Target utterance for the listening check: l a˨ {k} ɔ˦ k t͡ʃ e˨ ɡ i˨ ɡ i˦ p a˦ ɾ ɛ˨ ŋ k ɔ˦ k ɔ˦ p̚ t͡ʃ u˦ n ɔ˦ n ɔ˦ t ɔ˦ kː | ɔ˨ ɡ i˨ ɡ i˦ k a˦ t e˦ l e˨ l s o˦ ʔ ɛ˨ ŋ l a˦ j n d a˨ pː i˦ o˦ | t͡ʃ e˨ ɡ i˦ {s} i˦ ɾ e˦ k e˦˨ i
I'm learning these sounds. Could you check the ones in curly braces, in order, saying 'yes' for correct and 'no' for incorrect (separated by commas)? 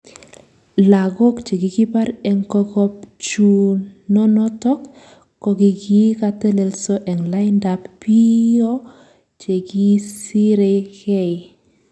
no, yes